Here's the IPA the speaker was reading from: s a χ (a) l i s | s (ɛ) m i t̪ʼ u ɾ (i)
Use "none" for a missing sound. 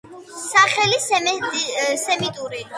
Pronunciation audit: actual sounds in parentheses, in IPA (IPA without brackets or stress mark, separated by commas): ɛ, ɛ, i